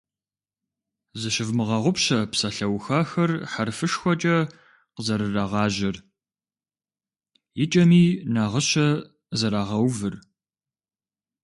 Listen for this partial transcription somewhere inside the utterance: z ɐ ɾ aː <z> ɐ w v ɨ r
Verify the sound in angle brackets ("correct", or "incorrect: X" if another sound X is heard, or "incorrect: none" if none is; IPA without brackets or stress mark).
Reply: incorrect: ʁ